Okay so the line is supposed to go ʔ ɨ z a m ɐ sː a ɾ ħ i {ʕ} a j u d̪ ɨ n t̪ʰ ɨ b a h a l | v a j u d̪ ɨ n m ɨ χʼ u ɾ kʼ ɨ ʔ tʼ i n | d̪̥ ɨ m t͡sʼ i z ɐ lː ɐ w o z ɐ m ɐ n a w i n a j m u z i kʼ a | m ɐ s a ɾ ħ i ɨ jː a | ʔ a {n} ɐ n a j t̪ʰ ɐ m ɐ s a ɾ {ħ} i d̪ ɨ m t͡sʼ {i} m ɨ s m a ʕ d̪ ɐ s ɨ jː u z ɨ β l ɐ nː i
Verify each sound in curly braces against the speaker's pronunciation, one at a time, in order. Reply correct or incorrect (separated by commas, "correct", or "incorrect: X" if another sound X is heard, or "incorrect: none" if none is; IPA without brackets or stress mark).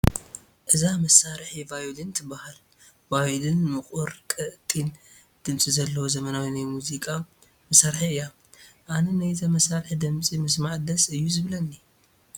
incorrect: v, correct, correct, correct